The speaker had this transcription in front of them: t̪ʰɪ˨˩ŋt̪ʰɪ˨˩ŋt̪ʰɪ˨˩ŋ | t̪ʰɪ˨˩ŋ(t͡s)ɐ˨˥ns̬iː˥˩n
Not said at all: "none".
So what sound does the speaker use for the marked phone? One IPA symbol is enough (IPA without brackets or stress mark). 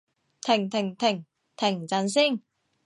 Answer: t͡s